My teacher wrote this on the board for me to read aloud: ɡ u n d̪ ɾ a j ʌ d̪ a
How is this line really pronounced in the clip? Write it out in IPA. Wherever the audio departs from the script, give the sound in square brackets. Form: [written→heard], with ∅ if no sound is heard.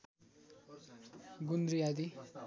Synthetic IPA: ɡ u n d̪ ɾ [a→i] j [ʌ→a] d̪ [a→i]